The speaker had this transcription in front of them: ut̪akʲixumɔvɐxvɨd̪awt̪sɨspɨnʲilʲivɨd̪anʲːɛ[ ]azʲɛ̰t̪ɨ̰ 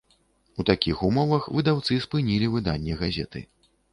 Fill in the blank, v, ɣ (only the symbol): ɣ